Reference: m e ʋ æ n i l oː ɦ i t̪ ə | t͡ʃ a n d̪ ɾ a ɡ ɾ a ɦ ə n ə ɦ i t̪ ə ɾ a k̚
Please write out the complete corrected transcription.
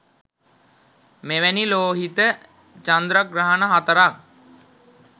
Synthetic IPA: m e ʋ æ n i l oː ɦ i t̪ ə | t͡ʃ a n d̪ ɾ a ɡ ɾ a ɦ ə n ə ɦ a t̪ ə ɾ a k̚